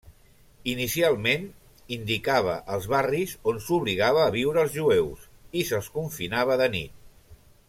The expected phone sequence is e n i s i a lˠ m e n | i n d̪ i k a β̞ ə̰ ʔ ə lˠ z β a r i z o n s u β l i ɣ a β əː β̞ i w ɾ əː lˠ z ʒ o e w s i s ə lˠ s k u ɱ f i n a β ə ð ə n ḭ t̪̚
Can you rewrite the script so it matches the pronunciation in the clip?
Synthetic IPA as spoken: i n i s i a lˠ m e n | i n d̪ i k a β̞ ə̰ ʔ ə lˠ z β a r i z o n s u β l i ɣ a β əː β̞ i w ɾ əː lˠ z ʒ u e w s i s ə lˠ s k u ɱ f i n a β ə ð ə n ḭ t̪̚